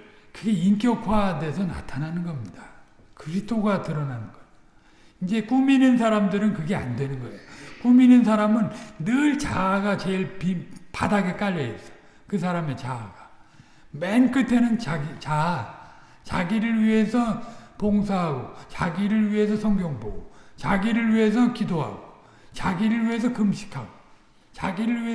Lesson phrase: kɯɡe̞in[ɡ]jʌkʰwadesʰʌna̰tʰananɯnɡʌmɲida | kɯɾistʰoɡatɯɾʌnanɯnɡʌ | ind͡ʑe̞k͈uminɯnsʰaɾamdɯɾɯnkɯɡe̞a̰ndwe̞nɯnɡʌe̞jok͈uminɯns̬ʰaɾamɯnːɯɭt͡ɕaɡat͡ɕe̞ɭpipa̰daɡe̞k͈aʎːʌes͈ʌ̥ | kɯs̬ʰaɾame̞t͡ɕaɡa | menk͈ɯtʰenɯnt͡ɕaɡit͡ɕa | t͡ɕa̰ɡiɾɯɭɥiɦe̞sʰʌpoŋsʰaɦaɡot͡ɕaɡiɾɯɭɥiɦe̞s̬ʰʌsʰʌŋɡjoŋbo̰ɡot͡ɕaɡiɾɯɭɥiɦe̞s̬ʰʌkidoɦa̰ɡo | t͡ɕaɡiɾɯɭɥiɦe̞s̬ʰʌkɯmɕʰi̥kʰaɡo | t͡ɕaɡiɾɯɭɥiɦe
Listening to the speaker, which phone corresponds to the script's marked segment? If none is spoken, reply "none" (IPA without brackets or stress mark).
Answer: k